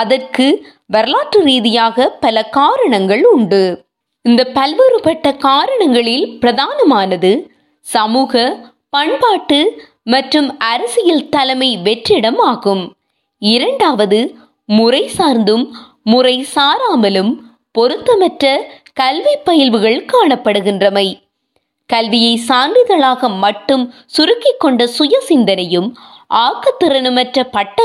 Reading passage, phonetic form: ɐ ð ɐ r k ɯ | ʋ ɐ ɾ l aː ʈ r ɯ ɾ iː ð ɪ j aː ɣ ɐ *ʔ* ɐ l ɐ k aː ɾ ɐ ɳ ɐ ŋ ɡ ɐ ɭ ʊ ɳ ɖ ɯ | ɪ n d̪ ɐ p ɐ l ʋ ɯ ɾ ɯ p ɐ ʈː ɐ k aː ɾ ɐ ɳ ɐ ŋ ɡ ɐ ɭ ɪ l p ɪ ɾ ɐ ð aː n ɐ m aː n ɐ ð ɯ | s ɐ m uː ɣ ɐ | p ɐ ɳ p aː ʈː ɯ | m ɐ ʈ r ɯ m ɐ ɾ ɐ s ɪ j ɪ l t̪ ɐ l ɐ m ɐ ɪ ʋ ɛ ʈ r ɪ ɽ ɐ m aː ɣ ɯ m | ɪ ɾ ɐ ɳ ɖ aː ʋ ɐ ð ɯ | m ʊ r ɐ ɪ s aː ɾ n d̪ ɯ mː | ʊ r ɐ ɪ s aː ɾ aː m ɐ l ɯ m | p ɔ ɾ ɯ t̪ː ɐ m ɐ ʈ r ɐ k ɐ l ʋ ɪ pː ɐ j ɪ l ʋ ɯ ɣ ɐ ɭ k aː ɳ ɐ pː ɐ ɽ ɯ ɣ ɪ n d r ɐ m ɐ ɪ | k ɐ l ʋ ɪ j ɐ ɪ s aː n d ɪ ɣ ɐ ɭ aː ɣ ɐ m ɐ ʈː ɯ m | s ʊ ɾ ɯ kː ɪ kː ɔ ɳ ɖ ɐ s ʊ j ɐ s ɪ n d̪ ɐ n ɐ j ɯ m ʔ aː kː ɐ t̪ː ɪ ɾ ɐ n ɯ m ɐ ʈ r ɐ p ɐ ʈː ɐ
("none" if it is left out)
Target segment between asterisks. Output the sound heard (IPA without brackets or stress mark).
p